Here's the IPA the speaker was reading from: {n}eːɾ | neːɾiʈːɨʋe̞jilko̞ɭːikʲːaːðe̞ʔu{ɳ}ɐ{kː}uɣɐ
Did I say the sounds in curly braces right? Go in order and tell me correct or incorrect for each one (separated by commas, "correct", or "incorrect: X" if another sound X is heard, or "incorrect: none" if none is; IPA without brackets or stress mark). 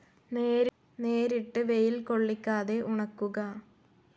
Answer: correct, correct, correct